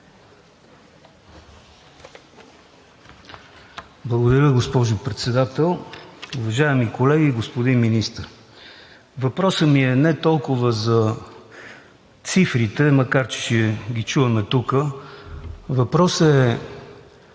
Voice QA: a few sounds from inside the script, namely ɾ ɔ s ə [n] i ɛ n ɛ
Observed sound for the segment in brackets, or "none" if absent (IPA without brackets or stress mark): m